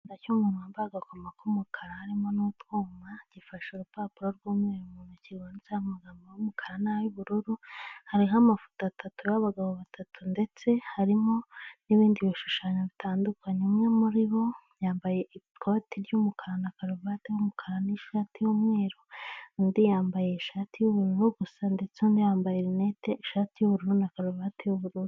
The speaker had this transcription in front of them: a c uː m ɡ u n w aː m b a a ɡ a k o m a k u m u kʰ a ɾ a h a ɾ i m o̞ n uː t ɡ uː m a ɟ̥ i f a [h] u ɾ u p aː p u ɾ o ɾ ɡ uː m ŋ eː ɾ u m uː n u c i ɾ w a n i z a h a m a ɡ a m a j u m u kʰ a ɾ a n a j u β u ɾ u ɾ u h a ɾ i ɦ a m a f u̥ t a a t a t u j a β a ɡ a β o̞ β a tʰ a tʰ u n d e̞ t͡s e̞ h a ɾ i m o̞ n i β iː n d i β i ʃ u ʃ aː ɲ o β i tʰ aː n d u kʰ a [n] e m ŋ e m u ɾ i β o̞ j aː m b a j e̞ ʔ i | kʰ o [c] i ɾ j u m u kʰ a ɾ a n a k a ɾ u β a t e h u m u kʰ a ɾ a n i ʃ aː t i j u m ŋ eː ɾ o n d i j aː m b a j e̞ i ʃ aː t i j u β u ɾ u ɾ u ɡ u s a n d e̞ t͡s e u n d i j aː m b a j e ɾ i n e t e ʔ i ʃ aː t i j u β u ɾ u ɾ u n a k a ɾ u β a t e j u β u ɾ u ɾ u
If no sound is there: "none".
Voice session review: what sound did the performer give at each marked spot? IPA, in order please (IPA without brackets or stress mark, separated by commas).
ʃ, ɲ, t